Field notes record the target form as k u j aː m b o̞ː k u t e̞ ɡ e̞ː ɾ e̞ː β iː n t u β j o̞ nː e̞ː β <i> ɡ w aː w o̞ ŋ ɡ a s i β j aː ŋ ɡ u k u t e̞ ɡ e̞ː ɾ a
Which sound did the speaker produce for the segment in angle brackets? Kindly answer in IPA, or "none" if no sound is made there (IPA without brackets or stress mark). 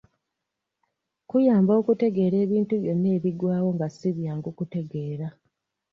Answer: i